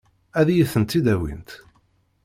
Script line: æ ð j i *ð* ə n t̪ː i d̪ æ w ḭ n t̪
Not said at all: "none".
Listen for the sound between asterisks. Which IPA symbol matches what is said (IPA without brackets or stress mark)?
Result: θ